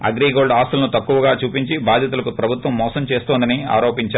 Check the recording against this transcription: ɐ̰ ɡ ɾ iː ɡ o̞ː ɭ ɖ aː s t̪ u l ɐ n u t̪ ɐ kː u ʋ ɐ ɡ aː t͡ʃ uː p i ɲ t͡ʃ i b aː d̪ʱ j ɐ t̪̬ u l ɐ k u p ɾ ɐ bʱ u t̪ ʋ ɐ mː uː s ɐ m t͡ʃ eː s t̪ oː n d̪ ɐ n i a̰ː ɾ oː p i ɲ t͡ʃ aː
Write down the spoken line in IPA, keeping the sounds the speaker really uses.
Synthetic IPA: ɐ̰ ɡ ɾ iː ɡ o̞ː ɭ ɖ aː s t̪ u l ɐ n u t̪ ɐ kː u ʋ ɐ ɡ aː t͡ʃ uː p i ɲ t͡ʃ i b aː d̪ʱ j ɐ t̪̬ u l ɐ k u p ɾ ɐ bʱ u t̪ ʋ ɐ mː ɔː s ɐ m t͡ʃ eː s t̪ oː n d̪ ɐ n i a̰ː ɾ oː p i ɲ t͡ʃ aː

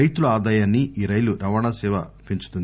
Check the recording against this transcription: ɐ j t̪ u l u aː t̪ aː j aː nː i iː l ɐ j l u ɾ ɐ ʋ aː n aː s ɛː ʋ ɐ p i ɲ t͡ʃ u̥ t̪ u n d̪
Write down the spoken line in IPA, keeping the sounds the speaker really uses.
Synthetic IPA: ɐ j t̪ u l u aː d̪ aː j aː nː i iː ɾ ɐ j l u ɾ ɐ ʋ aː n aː s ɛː ʋ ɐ p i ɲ t͡ʃ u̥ t̪ u n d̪

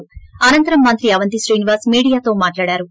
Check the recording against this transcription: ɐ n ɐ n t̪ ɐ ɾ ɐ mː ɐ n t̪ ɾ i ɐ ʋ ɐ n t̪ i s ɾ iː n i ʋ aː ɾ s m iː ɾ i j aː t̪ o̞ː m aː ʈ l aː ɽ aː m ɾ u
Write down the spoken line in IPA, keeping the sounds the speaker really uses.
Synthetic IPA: ɐ n ɐ n t̪ ɐ ɾ ɐ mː ɐ n t̪ ɾ i ɐ ʋ ɐ n t̪ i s ɾ iː n i ʋ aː ɾ s m iː ɽ i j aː t̪ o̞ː m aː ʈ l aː ɽ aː ɾ u

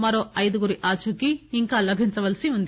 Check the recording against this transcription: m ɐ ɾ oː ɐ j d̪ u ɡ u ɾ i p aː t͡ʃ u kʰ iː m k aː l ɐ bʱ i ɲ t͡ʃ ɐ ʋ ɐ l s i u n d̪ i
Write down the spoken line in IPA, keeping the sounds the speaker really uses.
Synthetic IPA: m ɐ ɾ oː ɐ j d̪ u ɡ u ɾ i ʔ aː t͡ʃ u k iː ŋ k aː l ɐ bʱ i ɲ t͡ʃ ɐ ʋ ɐ l s i u n d̪ i

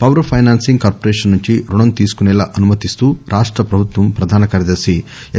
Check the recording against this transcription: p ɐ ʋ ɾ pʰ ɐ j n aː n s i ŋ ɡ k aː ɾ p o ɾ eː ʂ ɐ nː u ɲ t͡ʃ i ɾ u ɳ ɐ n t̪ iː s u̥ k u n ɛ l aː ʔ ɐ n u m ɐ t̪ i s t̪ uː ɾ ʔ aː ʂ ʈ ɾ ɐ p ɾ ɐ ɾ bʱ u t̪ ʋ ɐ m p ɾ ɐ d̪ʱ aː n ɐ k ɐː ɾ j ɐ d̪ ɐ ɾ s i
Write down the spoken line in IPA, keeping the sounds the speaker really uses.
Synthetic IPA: p ɐ ʋ ɾ pʰ ɐ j n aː n s i ŋ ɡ k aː ɾ p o ɾ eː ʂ ɐ nː u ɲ t͡ʃ i ɾ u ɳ ɐ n t̪ iː s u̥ k u n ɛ l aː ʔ ɐ n u m ɐ t̪ i s t̪ uː ɾ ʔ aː ʂ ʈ ɾ ɐ p ɾ ɐ bʱ u t̪ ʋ ɐ m p ɾ ɐ d̪ʱ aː n ɐ k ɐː ɾ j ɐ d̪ ɐ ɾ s i

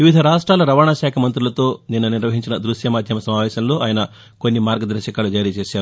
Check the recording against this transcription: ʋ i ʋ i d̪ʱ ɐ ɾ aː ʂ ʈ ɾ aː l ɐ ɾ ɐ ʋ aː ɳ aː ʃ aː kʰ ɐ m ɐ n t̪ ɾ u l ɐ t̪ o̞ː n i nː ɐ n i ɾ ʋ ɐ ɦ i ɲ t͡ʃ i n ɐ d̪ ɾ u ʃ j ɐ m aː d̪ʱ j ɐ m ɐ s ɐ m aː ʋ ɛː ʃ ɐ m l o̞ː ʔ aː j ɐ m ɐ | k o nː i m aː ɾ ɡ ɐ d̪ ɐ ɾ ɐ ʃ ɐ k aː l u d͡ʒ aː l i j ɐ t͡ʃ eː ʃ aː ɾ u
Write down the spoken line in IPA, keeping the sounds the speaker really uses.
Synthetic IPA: ʋ i ʋ i d̪ʱ ɐ ɾ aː ʂ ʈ ɾ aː l ɐ ɾ ɐ ʋ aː ɳ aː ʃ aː kʰ ɐ m ɐ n t̪ ɾ u l ɐ t̪ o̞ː n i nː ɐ n i ɾ ʋ ɐ ɦ i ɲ t͡ʃ i n ɐ d̪ ɾ u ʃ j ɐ m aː d̪ʱ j ɐ m ɐ s ɐ m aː ʋ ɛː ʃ ɐ m l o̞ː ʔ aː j ɐ n ɐ | k o nː i m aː ɾ ɡ ɐ d̪ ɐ ɾ ɐ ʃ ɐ k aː l u d͡ʒ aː ɾ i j ɐ t͡ʃ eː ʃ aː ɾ u

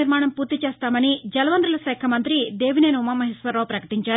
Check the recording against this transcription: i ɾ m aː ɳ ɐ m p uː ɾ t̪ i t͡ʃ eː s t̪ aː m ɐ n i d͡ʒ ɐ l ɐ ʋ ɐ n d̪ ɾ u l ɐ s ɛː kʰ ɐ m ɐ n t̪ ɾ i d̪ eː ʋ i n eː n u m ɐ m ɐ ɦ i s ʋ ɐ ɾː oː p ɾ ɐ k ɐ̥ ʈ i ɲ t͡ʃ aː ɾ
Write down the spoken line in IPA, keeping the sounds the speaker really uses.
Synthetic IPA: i ɾ m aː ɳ ɐ m p uː ɾ t̪ i t͡ʃ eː s t̪ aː m ɐ n i d͡ʒ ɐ l ɐ ʋ ɐ n d̪ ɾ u l ɐ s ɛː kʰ ɐ m ɐ n t̪ ɾ i d̪ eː ʋ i n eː n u m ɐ m ɐ ɦ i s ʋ ɐ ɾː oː p ɾ ɐ k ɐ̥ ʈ i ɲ t͡ʃ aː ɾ

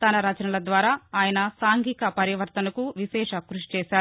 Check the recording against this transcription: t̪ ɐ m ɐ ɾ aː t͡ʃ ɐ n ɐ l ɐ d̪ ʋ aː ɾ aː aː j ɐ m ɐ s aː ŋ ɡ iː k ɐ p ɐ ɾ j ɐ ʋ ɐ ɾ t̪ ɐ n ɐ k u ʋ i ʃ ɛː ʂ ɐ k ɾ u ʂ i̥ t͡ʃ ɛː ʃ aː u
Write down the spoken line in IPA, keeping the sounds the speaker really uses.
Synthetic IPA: t̪ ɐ n ɐ ɾ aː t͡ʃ ɐ n ɐ l ɐ d̪ ʋ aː ɾ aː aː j ɐ n ɐ s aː ŋ ɡ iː k ɐ p ɐ ɾ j ɐ ʋ ɐ ɾ t̪ ɐ n ɐ k u ʋ i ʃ ɛː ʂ ɐ k ɾ u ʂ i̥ t͡ʃ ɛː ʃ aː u

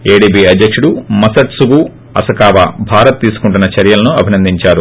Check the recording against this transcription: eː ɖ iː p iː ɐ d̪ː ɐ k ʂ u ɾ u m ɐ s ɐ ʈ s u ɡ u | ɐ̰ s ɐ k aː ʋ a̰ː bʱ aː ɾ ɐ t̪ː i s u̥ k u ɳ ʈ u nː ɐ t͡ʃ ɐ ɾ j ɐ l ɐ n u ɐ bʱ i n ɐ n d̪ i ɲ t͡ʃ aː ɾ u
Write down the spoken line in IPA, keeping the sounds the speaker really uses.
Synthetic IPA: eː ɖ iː b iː ɐ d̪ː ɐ k ʂ u ɽ u m ɐ s ɐ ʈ s u ɡ u | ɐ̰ s ɐ k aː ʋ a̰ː bʱ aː ɾ ɐ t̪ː iː s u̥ k u ɳ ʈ u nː ɐ t͡ʃ ɐ ɾ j ɐ l ɐ n u ɐ bʱ i n ɐ n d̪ i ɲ t͡ʃ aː ɾ u

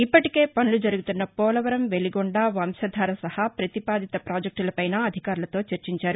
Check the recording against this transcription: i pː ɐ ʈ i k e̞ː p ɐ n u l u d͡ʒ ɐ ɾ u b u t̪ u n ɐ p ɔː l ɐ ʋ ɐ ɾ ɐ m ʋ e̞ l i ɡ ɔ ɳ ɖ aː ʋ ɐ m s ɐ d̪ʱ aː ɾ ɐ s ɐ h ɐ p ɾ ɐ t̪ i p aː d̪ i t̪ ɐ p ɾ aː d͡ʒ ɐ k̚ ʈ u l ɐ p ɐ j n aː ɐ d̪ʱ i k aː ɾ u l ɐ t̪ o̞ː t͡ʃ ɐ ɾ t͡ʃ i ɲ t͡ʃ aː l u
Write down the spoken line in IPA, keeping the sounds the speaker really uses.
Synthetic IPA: i pː ɐ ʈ i k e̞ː p ɐ n u l u d͡ʒ ɐ ɾ u ɡ u t̪ u nː ɐ p ɔː l ɐ ʋ ɐ ɾ ɐ m ʋ e̞ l i ɡ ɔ ɳ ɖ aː ʋ ɐ m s ɐ d̪ʱ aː ɾ ɐ s ɐ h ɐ p ɾ ɐ t̪ i p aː d̪ i t̪ ɐ p ɾ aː d͡ʒ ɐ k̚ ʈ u l ɐ p ɐ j n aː ɐ d̪ʱ i k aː ɾ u l ɐ t̪ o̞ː t͡ʃ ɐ ɾ t͡ʃ i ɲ t͡ʃ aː ɾ u

